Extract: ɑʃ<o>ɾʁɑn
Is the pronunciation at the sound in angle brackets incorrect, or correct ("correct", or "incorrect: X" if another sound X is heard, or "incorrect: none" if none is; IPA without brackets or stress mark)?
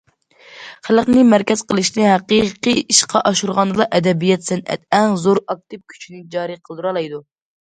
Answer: incorrect: u